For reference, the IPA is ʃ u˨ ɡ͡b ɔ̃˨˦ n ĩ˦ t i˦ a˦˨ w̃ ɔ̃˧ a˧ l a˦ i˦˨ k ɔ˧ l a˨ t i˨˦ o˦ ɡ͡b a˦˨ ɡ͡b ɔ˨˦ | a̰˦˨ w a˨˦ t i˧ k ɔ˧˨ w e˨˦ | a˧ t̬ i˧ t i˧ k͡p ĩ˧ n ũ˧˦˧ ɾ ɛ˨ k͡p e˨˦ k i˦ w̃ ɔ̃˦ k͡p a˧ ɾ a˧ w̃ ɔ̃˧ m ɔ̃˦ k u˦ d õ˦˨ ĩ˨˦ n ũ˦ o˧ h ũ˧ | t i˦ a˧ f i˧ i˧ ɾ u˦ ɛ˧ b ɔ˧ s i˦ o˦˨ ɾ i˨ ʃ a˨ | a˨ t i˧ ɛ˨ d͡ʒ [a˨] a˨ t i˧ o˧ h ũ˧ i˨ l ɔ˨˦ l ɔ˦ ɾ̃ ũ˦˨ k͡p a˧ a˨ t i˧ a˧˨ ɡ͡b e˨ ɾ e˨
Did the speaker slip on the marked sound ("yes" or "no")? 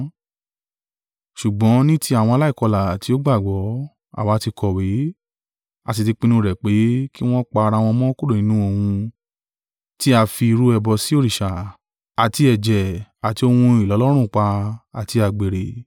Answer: yes